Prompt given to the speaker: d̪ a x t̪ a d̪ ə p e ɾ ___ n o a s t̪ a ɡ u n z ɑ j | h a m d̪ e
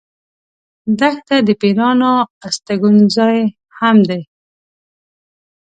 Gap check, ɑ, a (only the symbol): ɑ